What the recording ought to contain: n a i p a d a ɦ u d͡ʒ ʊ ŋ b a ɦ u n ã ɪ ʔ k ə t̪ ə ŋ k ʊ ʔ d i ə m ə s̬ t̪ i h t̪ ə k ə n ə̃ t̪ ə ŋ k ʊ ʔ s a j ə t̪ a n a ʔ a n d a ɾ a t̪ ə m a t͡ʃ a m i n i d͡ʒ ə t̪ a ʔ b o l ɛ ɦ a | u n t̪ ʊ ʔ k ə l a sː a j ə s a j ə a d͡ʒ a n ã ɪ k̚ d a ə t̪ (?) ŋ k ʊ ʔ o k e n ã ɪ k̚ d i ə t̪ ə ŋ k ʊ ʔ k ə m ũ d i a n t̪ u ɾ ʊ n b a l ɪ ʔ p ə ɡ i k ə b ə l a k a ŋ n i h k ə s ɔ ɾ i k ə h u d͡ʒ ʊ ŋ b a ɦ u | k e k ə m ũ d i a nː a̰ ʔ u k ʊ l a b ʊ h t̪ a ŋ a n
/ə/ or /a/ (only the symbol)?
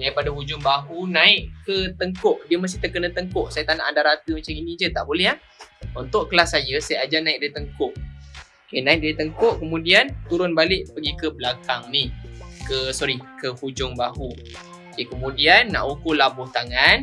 ə